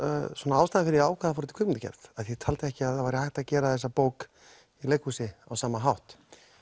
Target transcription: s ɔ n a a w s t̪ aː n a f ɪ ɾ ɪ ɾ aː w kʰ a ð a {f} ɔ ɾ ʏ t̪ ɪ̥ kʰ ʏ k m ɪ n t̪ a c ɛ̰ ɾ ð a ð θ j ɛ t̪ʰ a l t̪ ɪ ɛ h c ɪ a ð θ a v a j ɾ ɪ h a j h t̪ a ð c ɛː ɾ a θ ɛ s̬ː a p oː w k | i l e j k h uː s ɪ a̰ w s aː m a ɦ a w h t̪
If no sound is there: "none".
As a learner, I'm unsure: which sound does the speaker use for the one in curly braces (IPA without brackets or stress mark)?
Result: f